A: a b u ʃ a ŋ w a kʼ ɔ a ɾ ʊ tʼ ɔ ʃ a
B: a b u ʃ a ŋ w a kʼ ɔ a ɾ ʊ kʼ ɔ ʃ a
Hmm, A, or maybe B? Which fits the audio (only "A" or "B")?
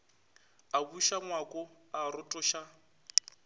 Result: A